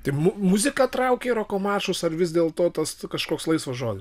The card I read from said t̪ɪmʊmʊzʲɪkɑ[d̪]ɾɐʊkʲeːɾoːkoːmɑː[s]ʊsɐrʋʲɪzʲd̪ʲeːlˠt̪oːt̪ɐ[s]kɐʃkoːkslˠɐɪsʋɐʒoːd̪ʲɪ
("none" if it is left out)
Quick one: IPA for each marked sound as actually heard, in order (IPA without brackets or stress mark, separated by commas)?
t̪, ʃ, s